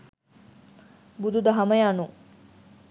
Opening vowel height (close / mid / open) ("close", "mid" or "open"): close